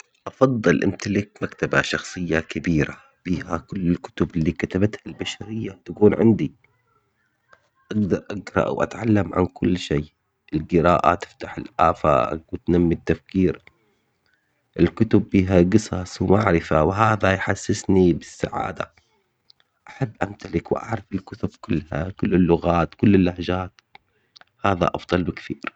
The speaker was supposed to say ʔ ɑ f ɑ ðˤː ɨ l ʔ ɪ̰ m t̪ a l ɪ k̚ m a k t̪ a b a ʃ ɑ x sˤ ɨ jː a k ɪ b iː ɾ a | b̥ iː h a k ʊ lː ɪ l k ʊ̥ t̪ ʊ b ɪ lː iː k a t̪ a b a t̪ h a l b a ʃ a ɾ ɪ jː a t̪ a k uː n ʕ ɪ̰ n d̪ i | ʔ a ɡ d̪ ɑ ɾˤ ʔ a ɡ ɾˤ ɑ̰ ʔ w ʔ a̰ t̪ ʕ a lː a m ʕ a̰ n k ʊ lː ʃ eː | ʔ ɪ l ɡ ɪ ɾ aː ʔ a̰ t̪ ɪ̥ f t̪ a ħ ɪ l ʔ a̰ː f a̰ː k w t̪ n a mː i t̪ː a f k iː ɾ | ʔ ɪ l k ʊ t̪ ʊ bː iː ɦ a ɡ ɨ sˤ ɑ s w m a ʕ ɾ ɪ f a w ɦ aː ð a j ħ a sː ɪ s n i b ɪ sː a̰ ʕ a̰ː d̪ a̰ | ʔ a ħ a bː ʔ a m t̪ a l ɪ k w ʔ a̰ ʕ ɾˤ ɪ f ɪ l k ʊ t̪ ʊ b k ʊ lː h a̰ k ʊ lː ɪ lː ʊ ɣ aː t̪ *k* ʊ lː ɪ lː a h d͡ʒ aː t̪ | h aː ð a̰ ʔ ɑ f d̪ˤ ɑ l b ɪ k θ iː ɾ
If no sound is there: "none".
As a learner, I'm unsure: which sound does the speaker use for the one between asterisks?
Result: k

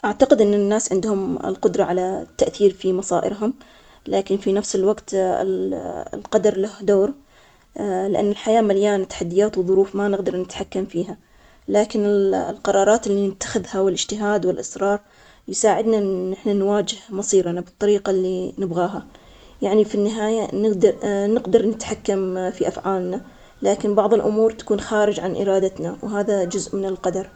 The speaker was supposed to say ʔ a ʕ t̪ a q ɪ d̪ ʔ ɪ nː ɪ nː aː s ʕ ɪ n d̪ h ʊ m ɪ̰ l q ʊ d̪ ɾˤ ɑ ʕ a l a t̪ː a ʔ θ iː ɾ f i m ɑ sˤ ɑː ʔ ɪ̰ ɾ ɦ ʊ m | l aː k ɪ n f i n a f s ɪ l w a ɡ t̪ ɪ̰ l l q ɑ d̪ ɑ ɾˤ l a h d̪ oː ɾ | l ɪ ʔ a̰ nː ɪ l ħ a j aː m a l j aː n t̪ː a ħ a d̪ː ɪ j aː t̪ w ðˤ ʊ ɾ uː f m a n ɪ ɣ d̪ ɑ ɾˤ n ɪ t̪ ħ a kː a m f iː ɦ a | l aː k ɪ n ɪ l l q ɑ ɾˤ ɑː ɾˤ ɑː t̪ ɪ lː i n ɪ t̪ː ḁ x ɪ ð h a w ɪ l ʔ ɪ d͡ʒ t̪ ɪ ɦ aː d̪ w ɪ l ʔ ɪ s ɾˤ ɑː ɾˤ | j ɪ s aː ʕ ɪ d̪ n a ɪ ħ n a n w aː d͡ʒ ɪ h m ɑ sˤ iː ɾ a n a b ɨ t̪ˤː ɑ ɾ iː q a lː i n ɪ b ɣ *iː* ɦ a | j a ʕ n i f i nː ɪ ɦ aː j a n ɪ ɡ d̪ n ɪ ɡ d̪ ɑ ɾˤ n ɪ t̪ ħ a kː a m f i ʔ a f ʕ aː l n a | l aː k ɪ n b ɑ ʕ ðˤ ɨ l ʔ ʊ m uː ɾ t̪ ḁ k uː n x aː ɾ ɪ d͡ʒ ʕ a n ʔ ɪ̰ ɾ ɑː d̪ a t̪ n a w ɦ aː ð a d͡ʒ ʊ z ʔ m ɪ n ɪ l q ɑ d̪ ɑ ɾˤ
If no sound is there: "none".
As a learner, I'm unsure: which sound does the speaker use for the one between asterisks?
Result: aː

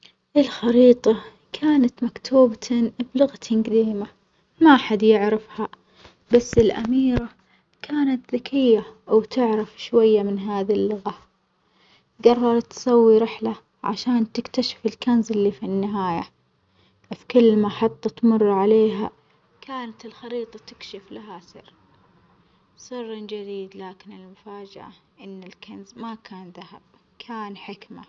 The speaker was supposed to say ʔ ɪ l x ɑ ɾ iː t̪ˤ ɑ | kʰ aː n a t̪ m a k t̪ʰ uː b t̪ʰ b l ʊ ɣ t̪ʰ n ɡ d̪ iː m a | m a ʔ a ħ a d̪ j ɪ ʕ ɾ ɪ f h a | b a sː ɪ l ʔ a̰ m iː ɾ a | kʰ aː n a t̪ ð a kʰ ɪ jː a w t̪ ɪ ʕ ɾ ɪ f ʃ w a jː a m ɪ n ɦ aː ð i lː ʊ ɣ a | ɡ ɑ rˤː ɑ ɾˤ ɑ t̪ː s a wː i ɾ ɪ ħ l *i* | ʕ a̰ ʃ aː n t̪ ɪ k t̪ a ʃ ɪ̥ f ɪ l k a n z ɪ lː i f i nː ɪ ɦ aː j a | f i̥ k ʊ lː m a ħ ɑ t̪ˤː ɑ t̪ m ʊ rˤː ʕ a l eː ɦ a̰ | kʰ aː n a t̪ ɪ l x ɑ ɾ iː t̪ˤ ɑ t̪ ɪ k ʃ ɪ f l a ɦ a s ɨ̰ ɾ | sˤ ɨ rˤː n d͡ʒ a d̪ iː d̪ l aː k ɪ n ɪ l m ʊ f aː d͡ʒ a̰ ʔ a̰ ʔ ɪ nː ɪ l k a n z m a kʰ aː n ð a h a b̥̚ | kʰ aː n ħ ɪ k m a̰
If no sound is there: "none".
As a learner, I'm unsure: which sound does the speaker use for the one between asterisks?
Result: a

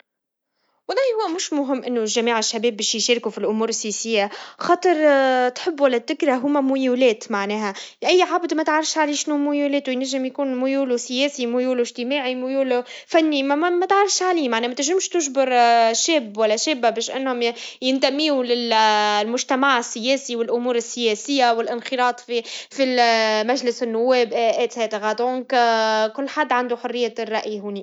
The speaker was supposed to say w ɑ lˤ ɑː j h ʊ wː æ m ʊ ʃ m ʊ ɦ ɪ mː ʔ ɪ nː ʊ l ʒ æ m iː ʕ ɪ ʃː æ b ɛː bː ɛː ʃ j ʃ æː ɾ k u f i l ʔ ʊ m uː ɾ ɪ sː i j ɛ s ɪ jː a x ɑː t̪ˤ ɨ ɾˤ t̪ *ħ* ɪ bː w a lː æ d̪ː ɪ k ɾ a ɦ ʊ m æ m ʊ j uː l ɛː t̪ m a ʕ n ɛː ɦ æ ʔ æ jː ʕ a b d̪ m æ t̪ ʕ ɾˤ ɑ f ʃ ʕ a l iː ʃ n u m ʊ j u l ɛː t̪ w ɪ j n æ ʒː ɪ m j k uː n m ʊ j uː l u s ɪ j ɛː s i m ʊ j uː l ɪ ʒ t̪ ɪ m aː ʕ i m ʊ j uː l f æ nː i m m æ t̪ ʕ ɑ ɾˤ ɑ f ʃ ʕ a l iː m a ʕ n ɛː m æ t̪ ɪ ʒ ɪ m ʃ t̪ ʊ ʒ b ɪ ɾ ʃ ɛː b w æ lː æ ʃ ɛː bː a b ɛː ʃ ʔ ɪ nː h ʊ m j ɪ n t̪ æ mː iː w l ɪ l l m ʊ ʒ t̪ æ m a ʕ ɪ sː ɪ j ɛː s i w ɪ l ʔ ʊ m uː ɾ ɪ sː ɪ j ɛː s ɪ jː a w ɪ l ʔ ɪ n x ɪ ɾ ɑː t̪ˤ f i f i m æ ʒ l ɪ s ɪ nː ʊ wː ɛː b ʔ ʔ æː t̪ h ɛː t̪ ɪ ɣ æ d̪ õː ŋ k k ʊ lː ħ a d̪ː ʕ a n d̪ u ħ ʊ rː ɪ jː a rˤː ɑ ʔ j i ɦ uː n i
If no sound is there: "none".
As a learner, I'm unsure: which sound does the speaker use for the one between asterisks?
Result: ħ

